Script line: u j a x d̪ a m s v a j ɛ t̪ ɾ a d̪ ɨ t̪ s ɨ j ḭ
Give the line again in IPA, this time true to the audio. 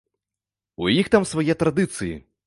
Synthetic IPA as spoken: u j i x t̪ a m s v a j ɛ t̪ ɾ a d̪ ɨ t̪ s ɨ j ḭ